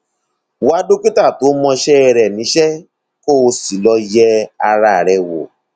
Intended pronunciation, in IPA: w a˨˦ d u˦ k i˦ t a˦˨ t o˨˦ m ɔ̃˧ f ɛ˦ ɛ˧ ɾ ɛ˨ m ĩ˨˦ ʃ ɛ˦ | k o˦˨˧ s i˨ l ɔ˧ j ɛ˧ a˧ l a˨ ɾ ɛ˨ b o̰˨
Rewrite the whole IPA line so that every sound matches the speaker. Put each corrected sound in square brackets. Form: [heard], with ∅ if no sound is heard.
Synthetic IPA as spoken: w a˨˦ d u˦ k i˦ t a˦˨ t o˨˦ m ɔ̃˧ [ʃ] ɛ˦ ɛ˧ ɾ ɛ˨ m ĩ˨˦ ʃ ɛ˦ | k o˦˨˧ s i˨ l ɔ˧ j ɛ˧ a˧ [ɾ] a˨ ɾ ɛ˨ [w] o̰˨